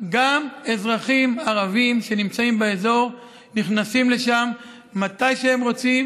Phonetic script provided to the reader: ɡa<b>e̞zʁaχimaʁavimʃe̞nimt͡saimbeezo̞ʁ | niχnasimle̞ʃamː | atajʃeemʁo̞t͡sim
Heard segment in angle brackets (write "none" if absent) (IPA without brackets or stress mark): m